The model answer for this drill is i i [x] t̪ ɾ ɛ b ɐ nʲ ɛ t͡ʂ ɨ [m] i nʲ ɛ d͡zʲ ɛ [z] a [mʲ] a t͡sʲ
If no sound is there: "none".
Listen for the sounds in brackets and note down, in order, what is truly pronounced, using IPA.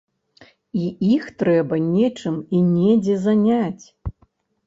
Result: x, m, z, nʲ

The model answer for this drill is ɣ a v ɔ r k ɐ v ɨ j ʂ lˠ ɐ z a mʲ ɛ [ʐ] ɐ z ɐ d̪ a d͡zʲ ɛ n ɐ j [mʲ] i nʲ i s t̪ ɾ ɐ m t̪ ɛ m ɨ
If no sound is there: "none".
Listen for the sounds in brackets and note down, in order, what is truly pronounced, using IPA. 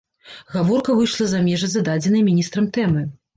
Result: ʐ, mʲ

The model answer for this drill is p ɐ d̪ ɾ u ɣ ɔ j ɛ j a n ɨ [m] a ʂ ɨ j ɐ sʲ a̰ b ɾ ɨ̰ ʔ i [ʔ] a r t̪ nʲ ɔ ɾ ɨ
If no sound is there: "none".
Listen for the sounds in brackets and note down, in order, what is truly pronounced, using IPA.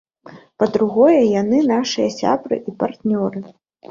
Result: n, p

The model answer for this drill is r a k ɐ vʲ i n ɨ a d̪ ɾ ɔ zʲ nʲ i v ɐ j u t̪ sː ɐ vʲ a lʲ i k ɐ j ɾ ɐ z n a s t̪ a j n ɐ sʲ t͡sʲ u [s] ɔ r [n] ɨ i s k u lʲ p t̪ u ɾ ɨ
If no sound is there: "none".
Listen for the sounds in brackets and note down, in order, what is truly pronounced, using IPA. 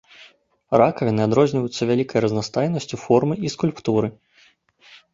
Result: f, m

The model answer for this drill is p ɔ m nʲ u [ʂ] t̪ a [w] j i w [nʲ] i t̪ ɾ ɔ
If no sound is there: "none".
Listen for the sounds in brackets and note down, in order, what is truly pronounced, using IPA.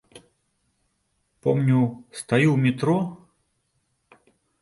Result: s, none, mʲ

